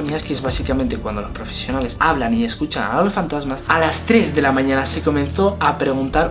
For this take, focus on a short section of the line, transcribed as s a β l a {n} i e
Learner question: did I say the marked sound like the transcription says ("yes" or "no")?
yes